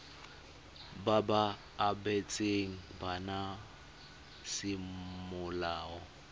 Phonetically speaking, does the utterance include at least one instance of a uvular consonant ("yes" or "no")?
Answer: no